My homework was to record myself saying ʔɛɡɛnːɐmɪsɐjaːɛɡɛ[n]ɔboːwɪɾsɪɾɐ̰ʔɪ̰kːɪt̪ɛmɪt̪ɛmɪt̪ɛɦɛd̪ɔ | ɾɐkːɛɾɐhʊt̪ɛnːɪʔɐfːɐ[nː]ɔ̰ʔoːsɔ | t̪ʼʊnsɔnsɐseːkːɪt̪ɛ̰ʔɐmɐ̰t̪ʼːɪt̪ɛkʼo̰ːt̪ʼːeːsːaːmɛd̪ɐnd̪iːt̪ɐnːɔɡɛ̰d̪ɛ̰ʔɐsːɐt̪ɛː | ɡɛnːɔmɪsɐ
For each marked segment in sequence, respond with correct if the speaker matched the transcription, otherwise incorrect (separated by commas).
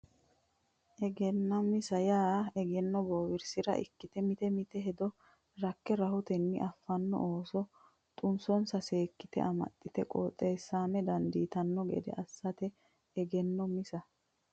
incorrect, correct